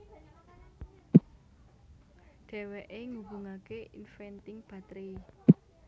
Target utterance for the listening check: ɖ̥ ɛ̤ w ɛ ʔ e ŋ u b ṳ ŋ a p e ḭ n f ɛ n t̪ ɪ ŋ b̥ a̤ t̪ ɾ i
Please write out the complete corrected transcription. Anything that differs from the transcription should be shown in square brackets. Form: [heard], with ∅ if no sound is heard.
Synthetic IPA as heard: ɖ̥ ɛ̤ w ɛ ʔ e ŋ u b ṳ ŋ a [k] e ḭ n f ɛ n t̪ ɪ ŋ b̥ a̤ t̪ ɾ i

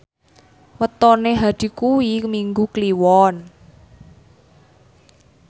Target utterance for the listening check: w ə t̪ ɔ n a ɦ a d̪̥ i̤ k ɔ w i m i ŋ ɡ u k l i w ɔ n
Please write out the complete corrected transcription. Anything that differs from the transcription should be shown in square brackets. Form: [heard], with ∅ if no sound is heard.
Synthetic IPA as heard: w ə t̪ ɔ n [e] ɦ a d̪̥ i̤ k [u] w i m i ŋ ɡ u k l i w ɔ n

